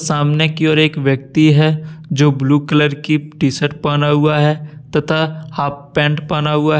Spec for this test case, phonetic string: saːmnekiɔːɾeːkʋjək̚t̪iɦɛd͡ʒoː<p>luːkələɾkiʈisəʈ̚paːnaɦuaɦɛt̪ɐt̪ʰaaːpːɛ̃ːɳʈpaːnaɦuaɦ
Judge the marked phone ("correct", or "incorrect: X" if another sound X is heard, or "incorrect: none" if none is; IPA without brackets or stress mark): incorrect: b